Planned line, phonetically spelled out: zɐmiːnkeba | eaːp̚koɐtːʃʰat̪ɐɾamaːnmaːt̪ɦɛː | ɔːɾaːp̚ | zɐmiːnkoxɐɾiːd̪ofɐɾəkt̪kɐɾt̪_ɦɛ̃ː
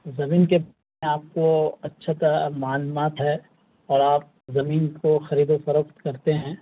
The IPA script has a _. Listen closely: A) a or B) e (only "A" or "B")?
B